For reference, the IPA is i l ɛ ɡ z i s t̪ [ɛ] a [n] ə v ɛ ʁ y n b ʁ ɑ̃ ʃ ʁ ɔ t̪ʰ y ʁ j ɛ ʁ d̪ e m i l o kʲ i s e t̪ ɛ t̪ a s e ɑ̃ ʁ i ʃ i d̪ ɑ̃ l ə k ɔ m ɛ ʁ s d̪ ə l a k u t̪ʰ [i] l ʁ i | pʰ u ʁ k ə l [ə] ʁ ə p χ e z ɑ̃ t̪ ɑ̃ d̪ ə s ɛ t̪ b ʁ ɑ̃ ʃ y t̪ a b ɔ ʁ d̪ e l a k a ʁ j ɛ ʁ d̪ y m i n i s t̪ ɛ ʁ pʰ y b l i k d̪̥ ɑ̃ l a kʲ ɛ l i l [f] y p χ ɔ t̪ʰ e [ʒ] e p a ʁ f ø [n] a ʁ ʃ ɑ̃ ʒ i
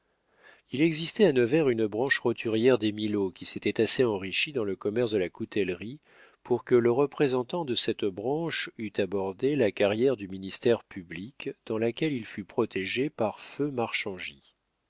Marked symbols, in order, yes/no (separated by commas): yes, yes, no, yes, yes, yes, no